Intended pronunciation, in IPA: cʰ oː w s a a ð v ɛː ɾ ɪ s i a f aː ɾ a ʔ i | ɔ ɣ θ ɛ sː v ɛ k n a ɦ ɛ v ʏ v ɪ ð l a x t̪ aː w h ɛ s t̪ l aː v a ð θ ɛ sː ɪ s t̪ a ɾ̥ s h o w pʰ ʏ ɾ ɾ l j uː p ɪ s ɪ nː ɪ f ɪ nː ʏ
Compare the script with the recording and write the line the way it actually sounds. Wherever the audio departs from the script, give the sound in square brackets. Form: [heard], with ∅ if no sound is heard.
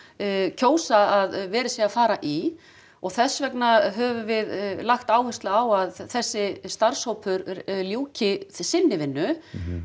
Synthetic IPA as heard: cʰ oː w s a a ð v ɛː ɾ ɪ s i a f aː ɾ a ʔ i | ɔ ɣ θ ɛ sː v ɛ k n a ɦ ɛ v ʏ v ɪ ð l a x t̪ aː w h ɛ s t̪ l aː [w] a ð θ ɛ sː ɪ s t̪ a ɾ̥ s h o w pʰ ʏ ɾ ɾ l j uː [c] ɪ s ɪ nː ɪ [v] ɪ nː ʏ